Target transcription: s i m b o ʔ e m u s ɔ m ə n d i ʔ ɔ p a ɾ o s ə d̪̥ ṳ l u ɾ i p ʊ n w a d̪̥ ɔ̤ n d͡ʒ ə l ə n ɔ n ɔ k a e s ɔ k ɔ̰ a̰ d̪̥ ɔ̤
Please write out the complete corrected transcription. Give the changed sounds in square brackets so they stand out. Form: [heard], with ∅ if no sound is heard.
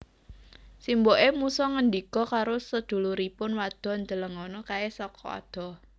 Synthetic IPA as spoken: s i m b o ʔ e m u s ɔ [ŋ] ə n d i [k] ɔ [k] a ɾ o s ə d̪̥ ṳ l u ɾ i p ʊ n w a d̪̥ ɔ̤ n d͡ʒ ə l ə [ŋ] ɔ n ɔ k a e s ɔ k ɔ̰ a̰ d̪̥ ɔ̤